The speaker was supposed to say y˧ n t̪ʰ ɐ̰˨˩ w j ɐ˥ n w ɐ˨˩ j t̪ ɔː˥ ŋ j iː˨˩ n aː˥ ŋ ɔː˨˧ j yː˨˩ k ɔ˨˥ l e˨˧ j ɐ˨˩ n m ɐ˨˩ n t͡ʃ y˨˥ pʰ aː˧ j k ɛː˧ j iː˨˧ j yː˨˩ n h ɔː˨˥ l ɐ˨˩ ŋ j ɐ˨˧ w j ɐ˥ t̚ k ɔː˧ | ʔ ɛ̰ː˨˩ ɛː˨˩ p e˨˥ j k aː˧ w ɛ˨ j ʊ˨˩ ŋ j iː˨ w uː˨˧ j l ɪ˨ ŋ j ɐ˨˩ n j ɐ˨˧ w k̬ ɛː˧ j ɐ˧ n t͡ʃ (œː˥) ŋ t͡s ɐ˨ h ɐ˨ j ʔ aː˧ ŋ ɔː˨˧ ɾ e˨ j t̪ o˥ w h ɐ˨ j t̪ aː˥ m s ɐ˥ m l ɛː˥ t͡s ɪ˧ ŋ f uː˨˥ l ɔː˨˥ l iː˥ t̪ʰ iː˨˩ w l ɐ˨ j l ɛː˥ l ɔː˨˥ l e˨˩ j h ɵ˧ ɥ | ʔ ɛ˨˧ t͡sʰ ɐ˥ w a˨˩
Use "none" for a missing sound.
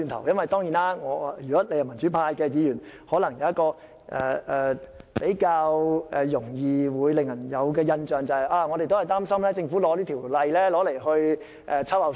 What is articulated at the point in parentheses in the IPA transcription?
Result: œː˨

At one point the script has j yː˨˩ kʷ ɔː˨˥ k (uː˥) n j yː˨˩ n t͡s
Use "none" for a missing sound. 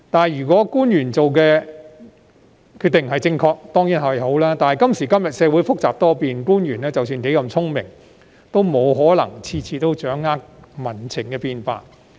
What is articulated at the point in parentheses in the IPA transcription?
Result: uː˥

